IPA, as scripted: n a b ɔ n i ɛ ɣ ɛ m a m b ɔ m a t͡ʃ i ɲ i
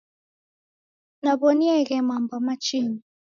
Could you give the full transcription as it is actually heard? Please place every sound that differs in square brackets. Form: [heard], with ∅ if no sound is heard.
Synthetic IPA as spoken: n a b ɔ n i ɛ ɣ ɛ m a m b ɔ m a t͡ʃ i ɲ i